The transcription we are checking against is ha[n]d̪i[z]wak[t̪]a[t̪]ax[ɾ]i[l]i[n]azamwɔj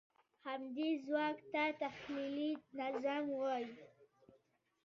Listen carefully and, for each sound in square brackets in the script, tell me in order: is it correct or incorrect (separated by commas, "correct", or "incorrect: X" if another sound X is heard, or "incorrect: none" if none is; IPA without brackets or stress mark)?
incorrect: m, correct, correct, correct, incorrect: l, correct, correct